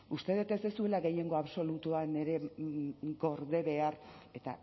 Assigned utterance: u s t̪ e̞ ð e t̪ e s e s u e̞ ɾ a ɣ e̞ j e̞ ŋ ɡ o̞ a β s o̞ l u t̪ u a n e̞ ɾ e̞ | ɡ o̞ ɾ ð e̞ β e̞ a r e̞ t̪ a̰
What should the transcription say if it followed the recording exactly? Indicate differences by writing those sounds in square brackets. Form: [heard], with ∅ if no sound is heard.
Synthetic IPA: u s t̪ e̞ ð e t̪ e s e s u e̞ [l] a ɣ e̞ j e̞ ŋ ɡ o̞ a β s o̞ l u t̪ u a n e̞ ɾ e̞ | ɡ o̞ ɾ ð e̞ β e̞ a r e̞ t̪ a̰